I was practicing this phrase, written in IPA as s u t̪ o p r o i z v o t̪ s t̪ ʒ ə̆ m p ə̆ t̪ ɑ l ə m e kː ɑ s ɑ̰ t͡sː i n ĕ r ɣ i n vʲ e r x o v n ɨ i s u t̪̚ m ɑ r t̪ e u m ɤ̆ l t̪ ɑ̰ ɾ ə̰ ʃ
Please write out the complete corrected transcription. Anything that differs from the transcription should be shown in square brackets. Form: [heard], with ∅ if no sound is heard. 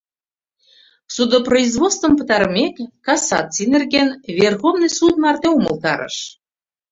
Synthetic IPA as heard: s u [d̪] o p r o i z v o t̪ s t̪ [v] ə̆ m p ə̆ t̪ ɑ [ɾ] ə m e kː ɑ s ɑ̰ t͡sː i n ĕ r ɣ [e] n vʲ e r x o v n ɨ [j] s u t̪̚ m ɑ r t̪ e u m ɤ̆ l t̪ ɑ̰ ɾ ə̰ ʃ

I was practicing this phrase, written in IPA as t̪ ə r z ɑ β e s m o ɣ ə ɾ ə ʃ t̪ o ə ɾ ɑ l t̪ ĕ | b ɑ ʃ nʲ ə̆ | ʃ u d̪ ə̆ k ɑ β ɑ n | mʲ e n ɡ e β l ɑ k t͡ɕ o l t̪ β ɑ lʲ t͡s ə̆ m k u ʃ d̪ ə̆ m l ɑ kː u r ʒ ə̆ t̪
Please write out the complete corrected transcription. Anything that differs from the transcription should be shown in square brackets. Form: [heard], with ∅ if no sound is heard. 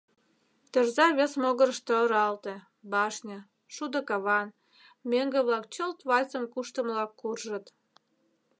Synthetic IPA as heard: t̪ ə r z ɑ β e s m o ɣ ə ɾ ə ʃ t̪ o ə ɾ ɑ l t̪ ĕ | b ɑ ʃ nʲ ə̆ | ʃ u d̪ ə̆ k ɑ β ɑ n | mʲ e [ŋ] ɡ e β l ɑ k t͡ɕ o l t̪ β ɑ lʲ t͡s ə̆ m k u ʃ [t̪] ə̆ m l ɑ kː u r ʒ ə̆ t̪

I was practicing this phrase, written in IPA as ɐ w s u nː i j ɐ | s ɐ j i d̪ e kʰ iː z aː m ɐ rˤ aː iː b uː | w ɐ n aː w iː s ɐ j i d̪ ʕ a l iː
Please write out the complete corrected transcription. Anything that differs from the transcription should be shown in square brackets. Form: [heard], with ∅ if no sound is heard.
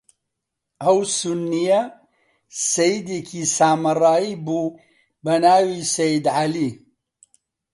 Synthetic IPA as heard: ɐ w s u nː i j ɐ | s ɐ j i d̪ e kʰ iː [s] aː m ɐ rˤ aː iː b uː | [b] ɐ n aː w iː s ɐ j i d̪ ʕ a l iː

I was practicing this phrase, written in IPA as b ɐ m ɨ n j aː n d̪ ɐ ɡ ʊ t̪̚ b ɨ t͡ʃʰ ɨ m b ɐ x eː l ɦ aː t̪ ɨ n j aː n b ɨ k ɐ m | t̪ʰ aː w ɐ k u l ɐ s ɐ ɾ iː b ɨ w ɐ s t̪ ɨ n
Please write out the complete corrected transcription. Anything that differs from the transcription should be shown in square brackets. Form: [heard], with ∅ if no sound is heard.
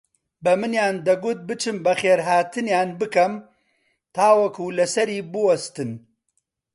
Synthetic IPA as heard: b ɐ m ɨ n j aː n d̪ ɐ ɡ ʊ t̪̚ b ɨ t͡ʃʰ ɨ m b ɐ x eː [ɾ] ɦ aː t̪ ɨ n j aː n b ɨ k ɐ m | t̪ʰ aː w ɐ k u l ɐ s ɐ ɾ iː b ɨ w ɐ s t̪ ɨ n

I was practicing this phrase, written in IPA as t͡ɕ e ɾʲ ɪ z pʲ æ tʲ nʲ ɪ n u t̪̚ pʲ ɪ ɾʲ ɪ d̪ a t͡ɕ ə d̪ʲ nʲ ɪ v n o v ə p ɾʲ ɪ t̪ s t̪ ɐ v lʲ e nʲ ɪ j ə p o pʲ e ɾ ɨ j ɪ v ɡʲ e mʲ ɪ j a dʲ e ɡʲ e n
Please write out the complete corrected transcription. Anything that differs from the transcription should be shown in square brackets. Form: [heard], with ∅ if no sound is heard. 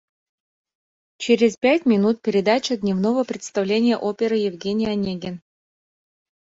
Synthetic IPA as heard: t͡ɕ e ɾʲ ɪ z pʲ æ tʲ [mʲ] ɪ n u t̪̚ pʲ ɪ ɾʲ ɪ d̪ a t͡ɕ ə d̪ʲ nʲ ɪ v n o v ə p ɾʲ ɪ t̪ s t̪ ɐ v lʲ e nʲ ɪ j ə [ʔ] o pʲ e ɾ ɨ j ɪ v ɡʲ e [nʲ] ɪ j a [nʲ] e ɡʲ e n

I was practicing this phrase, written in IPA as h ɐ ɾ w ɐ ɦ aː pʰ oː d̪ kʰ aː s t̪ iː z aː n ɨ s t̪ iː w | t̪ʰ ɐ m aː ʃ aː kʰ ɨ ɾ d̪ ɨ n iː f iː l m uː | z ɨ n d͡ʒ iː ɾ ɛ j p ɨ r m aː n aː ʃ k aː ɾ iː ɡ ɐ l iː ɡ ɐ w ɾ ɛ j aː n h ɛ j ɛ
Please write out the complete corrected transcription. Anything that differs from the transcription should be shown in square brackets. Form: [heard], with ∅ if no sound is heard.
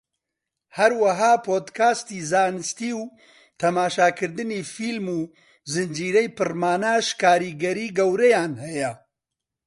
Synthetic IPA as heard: h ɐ ɾ w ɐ ɦ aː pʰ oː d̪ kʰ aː s t̪ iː z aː n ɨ s t̪ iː w | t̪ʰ ɐ m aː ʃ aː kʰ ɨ ɾ d̪ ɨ n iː f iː l m uː | z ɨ n d͡ʒ iː ɾ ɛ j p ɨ r m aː n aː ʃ k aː ɾ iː ɡ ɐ [ɾ] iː ɡ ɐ w ɾ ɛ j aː n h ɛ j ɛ

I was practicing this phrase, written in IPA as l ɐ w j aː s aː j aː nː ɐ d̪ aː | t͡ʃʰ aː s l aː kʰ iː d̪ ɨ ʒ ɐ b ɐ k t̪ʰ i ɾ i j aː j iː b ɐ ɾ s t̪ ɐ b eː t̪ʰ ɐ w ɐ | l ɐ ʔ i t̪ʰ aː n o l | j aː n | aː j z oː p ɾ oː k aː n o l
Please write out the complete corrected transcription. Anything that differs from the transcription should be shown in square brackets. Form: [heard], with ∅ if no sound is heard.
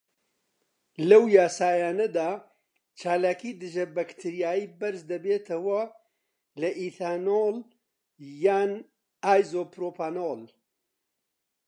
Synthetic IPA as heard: l ɐ w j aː s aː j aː [n] ɐ d̪ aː | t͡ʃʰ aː [∅] l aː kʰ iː d̪ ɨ ʒ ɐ b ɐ k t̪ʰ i ɾ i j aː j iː b ɐ ɾ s [d̪] ɐ b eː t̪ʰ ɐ w ɐ | l ɐ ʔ i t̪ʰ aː n o l | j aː n | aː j z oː p ɾ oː [p] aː n o l

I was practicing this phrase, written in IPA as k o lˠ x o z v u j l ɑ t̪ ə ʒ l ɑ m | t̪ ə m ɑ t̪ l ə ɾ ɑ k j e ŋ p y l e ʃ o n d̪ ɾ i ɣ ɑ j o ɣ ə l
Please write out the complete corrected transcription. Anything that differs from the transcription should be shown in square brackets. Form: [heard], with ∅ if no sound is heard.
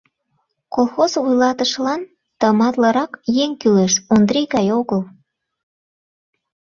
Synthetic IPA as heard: k o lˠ x o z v u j l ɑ t̪ ə [ʃ] l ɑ [n] | t̪ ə m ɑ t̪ l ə ɾ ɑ k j e ŋ [k] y l e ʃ o n d̪ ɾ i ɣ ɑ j o ɣ ə l

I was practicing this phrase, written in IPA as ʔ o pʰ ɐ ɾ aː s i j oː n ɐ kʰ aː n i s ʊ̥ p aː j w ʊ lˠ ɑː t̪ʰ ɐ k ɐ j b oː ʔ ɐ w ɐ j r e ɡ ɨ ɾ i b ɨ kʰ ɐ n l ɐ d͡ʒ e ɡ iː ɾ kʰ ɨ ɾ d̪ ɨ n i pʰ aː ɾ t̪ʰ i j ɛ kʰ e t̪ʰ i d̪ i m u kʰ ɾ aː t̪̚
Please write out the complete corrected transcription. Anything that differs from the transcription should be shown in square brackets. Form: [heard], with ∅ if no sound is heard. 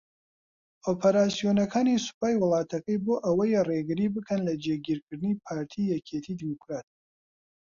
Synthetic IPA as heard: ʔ o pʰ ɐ ɾ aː s i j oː n ɐ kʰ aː n i s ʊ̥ p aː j w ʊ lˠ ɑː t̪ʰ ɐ k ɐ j b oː ʔ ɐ w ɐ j r e ɡ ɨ ɾ i b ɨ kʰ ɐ n l ɐ d͡ʒ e ɡ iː ɾ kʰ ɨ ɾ d̪ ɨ n i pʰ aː ɾ t̪ʰ i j ɛ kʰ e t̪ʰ i d̪ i m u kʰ ɾ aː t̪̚

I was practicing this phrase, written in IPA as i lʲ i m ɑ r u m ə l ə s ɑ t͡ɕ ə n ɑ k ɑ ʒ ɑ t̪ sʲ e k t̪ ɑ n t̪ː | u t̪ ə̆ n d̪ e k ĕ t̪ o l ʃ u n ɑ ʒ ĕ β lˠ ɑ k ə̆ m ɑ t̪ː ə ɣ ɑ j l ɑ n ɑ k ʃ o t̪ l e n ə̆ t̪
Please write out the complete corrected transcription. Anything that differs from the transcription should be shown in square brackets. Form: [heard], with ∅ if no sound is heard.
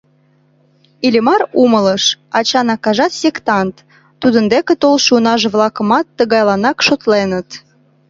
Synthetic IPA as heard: i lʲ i m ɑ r u m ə l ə [ʃ] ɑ t͡ɕ [ɑ] n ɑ k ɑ ʒ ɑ t̪ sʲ e k t̪ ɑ n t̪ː | u [d̪] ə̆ n d̪ e k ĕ t̪ o l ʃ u n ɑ ʒ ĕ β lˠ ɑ k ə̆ m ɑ t̪ː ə ɣ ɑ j l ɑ n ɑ k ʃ o t̪ l e n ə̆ t̪

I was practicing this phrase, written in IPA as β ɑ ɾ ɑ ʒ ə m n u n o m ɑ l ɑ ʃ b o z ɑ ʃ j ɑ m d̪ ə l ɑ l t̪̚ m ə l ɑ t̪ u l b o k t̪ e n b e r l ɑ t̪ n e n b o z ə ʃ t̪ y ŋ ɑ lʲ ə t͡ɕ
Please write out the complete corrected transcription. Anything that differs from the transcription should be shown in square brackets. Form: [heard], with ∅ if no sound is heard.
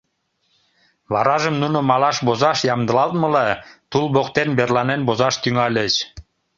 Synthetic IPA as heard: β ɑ ɾ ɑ ʒ ə m n u n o m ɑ l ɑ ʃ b o z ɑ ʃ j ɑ m d̪ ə l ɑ l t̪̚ m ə l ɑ t̪ u l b o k t̪ e n b e r l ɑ [∅] n e n b o z [ɑ] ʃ t̪ y ŋ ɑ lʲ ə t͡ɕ

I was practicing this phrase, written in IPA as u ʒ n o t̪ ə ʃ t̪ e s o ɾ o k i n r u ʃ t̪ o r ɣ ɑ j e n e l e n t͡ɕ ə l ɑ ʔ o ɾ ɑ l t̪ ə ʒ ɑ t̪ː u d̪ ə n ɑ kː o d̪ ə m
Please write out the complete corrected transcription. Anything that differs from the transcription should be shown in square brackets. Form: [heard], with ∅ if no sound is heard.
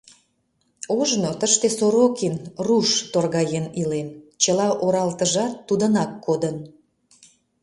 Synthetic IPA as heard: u ʒ n o t̪ ə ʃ t̪ e s o ɾ o k i n r u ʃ t̪ o r ɣ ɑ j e n [i] l e n t͡ɕ ə l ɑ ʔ o ɾ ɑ l t̪ ə ʒ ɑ t̪ː u d̪ ə n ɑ kː o d̪ ə [n]

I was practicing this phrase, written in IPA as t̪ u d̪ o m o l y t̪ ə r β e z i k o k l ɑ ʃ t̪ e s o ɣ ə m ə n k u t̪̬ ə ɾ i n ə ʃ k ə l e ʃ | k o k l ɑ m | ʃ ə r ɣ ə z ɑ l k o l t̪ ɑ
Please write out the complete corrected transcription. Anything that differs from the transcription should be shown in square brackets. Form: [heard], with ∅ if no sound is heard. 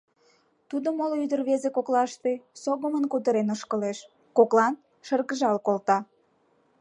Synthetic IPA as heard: t̪ u d̪ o m o l y [d̪] ə r β e z [e] k o k l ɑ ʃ t̪ e s o ɣ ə m ə n k u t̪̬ ə ɾ [e] n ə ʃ k ə l e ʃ | k o k l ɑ [n] | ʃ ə r ɣ ə [ʒ] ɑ l k o l t̪ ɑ

